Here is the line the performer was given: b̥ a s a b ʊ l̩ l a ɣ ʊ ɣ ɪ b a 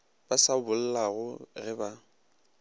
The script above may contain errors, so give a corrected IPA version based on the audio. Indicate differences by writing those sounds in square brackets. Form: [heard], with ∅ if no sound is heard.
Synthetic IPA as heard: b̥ a s a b ʊ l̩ l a ɣ ʊ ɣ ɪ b a